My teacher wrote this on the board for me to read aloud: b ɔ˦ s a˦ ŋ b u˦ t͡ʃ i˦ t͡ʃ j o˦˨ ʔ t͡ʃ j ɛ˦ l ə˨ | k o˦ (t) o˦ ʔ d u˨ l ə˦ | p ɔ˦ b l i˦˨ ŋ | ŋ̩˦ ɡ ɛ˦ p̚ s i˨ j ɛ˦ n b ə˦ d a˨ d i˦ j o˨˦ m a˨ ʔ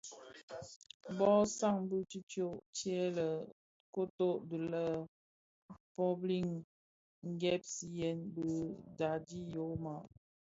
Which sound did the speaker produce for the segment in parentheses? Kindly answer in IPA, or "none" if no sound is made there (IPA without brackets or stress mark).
t